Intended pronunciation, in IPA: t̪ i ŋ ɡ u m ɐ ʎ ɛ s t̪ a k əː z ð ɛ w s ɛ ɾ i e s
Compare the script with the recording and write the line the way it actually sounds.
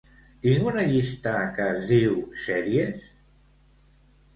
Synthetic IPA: t̪ i ŋ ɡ u n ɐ ʎ i s t̪ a k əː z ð i w s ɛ ɾ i e s